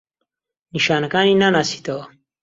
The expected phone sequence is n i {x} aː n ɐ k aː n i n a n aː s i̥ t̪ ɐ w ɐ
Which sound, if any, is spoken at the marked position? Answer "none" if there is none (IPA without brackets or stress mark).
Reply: ʃ